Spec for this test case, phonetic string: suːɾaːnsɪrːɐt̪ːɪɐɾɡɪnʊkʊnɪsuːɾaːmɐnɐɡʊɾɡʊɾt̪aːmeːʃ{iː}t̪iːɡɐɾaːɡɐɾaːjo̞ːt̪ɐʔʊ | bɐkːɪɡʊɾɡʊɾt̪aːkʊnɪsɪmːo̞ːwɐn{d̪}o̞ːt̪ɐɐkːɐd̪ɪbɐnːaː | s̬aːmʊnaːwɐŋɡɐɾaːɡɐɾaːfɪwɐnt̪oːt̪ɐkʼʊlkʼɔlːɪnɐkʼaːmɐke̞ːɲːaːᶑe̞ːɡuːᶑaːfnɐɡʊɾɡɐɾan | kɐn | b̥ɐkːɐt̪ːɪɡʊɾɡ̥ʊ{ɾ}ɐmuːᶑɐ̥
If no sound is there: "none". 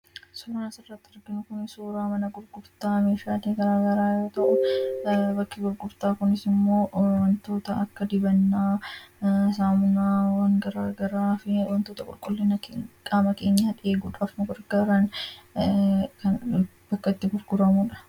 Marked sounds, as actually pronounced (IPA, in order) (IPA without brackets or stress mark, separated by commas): aː, t̪, ɾ